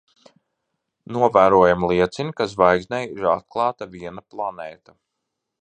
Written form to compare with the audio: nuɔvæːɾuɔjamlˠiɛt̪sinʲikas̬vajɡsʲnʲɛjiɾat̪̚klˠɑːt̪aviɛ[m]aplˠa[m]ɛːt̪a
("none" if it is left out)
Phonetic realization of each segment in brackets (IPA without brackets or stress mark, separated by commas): n, n